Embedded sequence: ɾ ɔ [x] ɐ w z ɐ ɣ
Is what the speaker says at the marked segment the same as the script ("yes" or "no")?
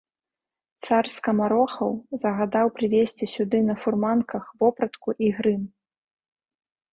yes